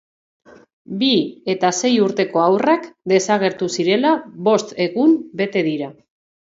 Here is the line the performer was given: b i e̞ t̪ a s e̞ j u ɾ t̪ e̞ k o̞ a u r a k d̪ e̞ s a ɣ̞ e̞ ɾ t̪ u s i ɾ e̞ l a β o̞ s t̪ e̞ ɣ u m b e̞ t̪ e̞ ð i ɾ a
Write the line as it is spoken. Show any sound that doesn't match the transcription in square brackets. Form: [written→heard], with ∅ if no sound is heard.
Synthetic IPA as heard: b i e̞ t̪ a s e̞ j u ɾ t̪ e̞ k o̞ a [u→w] r a k d̪ e̞ s a ɣ̞ e̞ ɾ t̪ u s i ɾ e̞ l a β o̞ s t̪ e̞ ɣ u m b e̞ t̪ e̞ ð i ɾ a